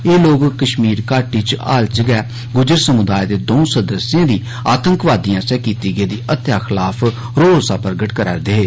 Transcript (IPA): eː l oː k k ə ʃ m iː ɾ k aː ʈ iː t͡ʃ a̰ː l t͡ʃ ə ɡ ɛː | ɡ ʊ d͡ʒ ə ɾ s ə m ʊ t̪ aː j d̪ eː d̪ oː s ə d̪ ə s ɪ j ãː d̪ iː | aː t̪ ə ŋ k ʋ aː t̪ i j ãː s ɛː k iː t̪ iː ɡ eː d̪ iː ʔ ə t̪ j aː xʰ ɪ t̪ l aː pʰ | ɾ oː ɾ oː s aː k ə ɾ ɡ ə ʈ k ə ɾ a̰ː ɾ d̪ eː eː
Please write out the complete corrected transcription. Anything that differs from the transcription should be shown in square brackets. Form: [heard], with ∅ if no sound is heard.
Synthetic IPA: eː l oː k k ə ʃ m iː ɾ k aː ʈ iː t͡ʃ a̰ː l t͡ʃ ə ɡ ɛː | ɡ ʊ d͡ʒ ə ɾ s ə m ʊ [d̪] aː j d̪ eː d̪ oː s ə d̪ ə s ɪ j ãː d̪ iː | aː t̪ ə ŋ k ʋ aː [d̪] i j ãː s ɛː k iː t̪ iː ɡ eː d̪ iː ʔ ə t̪ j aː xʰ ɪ [∅] l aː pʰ | ɾ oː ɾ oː s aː [p] ə ɾ ɡ ə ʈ k ə ɾ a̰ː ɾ d̪ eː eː